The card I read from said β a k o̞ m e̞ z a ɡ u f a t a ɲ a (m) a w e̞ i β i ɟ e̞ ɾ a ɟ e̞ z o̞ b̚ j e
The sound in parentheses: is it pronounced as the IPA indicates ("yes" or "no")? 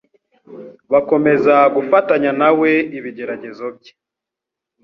no